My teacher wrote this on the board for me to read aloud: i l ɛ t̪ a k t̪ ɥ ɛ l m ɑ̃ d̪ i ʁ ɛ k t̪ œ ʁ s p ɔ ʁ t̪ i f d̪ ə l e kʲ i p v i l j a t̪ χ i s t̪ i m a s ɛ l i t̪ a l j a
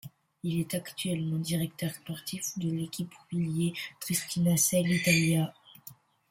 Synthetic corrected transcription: i l ɛ t̪ a k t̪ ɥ ɛ l m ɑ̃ d̪ i ʁ ɛ k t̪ œ ʁ s p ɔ ʁ t̪ i f d̪ ə l e kʲ i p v i l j e t̪ χ i s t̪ i n a s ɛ l i t̪ a l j a